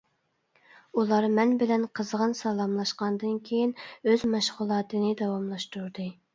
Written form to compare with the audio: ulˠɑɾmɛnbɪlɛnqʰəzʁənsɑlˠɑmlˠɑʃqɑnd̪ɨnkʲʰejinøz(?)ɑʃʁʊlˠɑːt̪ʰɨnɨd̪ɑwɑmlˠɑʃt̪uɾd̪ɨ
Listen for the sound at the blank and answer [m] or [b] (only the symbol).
m